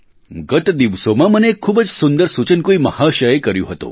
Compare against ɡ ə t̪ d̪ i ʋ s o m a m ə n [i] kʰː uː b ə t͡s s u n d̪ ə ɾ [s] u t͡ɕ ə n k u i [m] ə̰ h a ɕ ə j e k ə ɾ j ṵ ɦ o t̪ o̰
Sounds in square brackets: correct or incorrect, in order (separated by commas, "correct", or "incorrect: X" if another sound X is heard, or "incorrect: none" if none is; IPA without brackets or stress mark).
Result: incorrect: e, correct, correct